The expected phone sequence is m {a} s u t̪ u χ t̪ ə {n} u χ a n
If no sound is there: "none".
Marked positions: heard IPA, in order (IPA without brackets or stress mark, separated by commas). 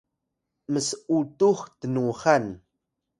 ə, n